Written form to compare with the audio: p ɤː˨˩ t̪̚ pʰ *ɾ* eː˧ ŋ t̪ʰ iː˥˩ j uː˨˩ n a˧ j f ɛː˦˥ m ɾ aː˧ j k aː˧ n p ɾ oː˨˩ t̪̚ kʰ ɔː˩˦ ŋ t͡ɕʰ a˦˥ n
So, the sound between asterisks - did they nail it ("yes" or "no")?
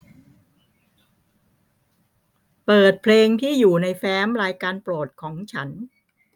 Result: no